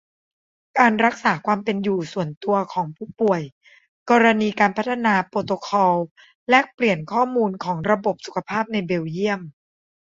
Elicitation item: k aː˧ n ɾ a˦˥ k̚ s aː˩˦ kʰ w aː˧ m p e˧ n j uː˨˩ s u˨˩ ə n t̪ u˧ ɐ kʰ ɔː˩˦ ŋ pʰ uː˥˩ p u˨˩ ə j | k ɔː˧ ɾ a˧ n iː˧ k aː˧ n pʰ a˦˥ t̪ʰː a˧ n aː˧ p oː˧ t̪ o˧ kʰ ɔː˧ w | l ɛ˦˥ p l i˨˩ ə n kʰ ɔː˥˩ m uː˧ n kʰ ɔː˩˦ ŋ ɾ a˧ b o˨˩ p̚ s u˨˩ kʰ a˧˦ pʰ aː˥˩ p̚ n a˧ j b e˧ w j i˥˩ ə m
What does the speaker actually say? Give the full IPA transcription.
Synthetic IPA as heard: k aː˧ n ɾ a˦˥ k̚ s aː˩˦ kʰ w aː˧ m p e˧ n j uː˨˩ s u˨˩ ə n t̪ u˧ ɐ kʰ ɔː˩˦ ŋ pʰ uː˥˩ p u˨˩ ə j | k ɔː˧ ɾ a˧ n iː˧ k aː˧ n pʰ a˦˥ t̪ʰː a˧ n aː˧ p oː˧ t̪ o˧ kʰ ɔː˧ w | l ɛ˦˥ p l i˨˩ ə n kʰ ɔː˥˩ m uː˧ n kʰ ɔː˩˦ ŋ ɾ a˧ b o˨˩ p̚ s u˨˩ kʰ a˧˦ pʰ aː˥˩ p̚ n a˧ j b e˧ w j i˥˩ ə m

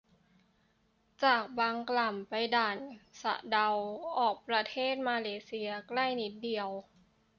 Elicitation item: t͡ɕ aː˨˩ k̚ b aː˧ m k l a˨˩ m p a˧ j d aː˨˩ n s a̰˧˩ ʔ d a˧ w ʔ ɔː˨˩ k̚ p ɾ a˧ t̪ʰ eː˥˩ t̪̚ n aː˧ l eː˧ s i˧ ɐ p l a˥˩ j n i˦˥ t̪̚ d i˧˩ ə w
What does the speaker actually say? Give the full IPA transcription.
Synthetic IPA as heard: t͡ɕ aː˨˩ k̚ b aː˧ ŋ k l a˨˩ m p a˧ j d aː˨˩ n s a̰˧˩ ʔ d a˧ w ʔ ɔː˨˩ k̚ p ɾ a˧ t̪ʰ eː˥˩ t̪̚ m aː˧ l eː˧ s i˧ ɐ k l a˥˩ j n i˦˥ t̪̚ d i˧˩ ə w

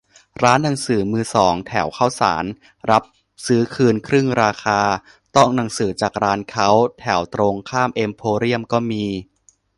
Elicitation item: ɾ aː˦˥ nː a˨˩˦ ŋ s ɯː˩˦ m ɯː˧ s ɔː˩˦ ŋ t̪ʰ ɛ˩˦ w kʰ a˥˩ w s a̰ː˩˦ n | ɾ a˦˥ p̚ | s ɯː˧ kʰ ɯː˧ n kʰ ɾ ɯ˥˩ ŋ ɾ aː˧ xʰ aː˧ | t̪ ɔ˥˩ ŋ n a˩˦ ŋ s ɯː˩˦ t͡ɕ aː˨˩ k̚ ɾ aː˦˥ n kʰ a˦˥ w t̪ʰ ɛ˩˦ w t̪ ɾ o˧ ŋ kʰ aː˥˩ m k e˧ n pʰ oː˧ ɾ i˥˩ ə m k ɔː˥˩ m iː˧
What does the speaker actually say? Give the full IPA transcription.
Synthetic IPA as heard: ɾ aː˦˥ nː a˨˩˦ ŋ s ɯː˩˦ m ɯː˧ s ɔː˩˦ ŋ t̪ʰ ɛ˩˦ w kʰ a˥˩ w s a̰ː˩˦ n | ɾ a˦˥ p̚ | s ɯː˦˥ kʰ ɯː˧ n kʰ ɾ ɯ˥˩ ŋ ɾ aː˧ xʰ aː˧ | t̪ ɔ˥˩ ŋ n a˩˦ ŋ s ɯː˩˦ t͡ɕ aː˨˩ k̚ ɾ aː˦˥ n kʰ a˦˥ w t̪ʰ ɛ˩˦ w t̪ ɾ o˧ ŋ kʰ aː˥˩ m ʔ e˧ m pʰ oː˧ ɾ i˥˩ ə m k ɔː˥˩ m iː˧

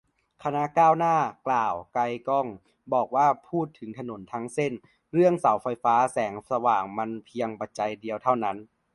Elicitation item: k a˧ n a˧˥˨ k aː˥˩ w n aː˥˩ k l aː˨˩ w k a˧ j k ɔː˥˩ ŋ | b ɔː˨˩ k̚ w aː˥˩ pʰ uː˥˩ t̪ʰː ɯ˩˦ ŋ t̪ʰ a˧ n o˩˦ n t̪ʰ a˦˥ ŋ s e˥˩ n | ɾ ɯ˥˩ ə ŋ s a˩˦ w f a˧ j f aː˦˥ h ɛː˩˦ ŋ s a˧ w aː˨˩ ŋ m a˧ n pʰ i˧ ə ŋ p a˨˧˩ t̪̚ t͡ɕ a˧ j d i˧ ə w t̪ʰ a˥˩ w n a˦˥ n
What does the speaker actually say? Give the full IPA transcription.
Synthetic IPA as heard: kʰ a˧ n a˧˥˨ k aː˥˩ w n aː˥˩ k l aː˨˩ w k a˧ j k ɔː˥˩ ŋ | b ɔː˨˩ k̚ w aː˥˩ pʰ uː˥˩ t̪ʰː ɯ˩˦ ŋ t̪ʰ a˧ n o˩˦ n t̪ʰ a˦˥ ŋ s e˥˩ n | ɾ ɯ˥˩ ə ŋ s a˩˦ w f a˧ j f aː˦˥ s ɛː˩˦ ŋ s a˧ w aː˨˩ ŋ m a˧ n pʰ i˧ ə ŋ p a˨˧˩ t̪̚ t͡ɕ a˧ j d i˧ ə w t̪ʰ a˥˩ w n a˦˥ n

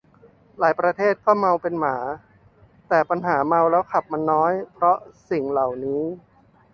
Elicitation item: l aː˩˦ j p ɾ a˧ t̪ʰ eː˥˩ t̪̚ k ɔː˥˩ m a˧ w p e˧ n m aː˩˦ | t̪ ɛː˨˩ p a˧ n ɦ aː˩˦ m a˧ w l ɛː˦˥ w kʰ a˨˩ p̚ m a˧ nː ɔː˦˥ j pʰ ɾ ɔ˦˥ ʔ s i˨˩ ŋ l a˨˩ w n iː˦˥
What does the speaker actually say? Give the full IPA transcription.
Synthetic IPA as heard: l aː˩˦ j p ɾ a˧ t̪ʰ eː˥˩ t̪̚ k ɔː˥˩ m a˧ w p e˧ n m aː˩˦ | t̪ ɛː˨˩ p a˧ n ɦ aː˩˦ m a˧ w l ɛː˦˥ w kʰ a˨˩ p̚ m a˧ nː ɔː˦˥ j pʰ ɾ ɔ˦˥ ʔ s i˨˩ ŋ l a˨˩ w n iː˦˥

